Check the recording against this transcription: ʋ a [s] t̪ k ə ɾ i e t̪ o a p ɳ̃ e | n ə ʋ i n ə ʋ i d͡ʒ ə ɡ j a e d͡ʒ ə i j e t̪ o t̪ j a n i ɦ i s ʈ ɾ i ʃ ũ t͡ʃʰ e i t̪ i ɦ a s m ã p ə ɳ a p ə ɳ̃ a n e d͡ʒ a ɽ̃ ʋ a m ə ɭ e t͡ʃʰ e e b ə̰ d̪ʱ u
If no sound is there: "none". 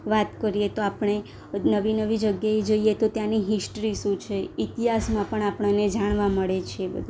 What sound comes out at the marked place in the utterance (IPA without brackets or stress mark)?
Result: none